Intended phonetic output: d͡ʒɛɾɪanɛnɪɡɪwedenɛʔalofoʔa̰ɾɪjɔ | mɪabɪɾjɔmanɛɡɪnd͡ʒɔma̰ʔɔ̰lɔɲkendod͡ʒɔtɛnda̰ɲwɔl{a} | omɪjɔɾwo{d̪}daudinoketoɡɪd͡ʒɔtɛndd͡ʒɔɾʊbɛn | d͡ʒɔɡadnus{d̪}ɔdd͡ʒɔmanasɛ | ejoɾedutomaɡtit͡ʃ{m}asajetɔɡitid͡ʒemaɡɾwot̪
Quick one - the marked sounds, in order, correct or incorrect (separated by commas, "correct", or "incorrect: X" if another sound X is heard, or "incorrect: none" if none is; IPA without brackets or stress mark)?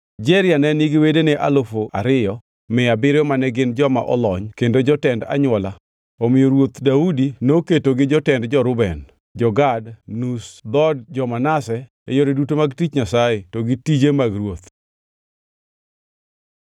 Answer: correct, incorrect: t̪, correct, incorrect: ɲ